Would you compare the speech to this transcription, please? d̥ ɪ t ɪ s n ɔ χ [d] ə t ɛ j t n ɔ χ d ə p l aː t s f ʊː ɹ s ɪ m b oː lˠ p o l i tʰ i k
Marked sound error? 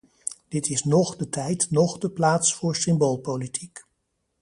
no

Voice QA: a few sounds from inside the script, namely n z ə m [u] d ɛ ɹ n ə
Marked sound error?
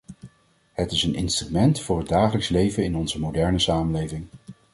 yes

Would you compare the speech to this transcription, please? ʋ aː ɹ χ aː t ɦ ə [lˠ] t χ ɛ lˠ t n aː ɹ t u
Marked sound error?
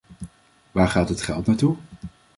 yes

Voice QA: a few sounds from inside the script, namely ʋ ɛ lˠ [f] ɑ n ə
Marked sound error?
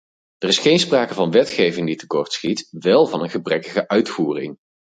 yes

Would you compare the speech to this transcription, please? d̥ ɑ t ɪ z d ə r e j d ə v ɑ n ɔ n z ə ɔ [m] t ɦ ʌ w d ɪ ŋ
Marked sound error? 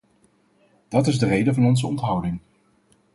yes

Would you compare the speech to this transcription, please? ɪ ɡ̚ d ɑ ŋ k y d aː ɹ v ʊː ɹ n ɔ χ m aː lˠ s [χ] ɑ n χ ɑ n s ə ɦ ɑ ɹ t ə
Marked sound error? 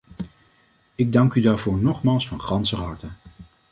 yes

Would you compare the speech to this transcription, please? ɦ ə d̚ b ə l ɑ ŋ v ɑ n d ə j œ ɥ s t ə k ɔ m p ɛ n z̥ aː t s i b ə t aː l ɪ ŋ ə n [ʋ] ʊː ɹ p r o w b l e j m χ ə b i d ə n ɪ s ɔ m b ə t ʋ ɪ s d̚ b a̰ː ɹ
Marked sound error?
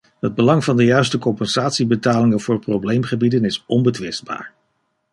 yes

